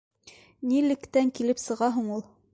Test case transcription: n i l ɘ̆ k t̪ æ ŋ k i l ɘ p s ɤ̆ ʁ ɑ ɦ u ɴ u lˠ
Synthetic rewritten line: n i l ɘ̆ k t̪ æ ŋ k i l ɘ p s ɤ̆ ʁ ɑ ɦ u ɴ u lˠ